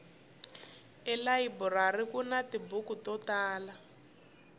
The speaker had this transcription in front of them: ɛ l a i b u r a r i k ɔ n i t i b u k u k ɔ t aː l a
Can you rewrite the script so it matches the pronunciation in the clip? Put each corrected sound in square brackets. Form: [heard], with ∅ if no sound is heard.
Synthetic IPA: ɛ l a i b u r a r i k [u] n [a] t i b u k u [t] ɔ t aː l a